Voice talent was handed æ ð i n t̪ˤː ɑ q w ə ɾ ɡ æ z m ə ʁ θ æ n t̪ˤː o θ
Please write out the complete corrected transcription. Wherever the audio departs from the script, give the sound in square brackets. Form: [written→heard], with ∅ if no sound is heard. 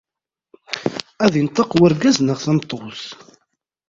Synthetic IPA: æ ð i n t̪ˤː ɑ q w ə ɾ ɡ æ z [m→n] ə ʁ θ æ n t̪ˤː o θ